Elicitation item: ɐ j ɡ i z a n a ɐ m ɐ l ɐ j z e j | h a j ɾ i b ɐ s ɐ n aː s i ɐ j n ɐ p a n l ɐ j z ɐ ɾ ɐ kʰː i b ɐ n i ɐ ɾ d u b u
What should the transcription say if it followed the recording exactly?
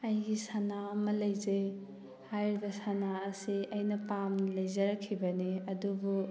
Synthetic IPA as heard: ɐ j ɡ i s a n a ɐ m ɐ l ɐ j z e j | h a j ɾ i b ɐ s a n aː s i ɐ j n ɐ p a m l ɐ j z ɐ ɾ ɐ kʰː i b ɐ n i ɐ d u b u

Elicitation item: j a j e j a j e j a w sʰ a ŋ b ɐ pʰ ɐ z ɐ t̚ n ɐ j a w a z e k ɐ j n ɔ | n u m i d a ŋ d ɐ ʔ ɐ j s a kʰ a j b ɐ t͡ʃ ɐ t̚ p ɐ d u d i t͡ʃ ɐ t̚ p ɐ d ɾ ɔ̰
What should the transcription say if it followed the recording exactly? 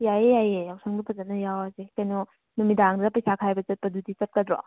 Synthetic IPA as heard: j a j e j a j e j a w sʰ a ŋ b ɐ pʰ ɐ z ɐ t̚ n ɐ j a w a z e k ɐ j n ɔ | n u m i d a ŋ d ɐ p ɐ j s a kʰ a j b ɐ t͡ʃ ɐ t̚ p ɐ d u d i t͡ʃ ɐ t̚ k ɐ d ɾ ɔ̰

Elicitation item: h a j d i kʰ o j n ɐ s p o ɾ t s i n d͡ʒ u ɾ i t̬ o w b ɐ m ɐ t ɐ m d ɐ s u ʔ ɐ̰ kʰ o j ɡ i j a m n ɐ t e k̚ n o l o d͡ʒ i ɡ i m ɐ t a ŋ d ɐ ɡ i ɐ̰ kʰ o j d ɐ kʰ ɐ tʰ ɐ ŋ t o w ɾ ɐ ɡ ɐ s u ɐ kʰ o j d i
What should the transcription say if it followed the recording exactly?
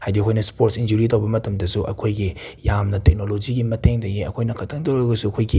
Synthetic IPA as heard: h a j d i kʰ o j n ɐ s p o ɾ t s i n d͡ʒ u ɾ i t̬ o w b ɐ m ɐ t ɐ m d ɐ s u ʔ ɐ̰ kʰ o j ɡ i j a m n ɐ t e k̚ n o l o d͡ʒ i ɡ i m ɐ t e ŋ d ɐ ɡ i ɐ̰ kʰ o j n ɐ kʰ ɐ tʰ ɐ ŋ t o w ɾ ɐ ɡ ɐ s u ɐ kʰ o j ɡ i

